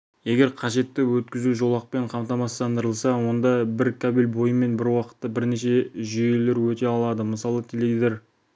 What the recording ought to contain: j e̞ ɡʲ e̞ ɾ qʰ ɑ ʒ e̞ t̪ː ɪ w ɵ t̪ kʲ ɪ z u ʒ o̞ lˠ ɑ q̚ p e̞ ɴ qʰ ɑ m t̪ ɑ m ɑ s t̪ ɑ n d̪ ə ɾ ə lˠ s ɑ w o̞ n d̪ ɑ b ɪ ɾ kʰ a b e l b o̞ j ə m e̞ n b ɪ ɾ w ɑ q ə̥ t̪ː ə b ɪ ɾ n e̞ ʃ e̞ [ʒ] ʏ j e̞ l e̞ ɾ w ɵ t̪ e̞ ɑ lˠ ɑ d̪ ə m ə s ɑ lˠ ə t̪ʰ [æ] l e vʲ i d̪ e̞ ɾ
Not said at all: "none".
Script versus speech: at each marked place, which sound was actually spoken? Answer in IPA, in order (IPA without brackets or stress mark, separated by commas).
ʒ, e